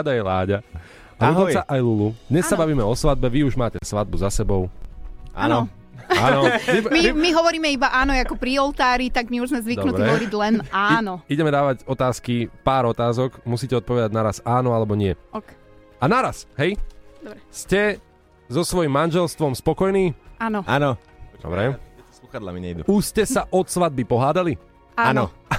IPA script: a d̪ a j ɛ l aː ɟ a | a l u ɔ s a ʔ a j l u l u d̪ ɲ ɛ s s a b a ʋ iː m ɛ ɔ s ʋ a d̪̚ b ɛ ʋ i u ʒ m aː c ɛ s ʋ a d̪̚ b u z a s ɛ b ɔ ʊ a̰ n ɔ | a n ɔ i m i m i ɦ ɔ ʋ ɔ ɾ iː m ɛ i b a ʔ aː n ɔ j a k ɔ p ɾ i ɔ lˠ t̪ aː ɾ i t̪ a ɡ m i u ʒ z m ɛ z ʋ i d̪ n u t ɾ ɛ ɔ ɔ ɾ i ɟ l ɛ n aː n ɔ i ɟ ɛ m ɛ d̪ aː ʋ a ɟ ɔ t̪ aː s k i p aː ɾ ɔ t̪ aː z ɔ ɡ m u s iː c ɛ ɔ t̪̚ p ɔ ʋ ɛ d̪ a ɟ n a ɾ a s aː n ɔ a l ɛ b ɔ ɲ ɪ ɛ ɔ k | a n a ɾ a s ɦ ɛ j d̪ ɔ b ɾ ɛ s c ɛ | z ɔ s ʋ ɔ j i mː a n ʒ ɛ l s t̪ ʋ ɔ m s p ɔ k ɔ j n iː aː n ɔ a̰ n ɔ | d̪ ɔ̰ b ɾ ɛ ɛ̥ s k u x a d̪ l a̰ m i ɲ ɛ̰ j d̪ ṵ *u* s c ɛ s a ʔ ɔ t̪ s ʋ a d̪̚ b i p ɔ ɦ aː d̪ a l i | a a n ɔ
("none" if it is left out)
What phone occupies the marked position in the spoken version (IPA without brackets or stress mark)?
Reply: u